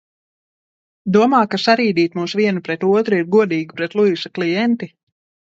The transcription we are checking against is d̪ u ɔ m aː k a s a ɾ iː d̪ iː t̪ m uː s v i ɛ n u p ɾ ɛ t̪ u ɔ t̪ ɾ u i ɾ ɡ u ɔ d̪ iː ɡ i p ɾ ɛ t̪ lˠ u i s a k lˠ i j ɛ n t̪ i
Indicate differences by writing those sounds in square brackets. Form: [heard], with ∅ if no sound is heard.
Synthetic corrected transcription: d̪ u ɔ m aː k a s a ɾ iː d̪ iː t̪ m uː s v i ɛ n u p ɾ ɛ t̪ u ɔ t̪ ɾ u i ɾ ɡ u ɔ d̪ iː ɡ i p ɾ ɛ t̪ lˠ u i s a k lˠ i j ɛ n t̪ i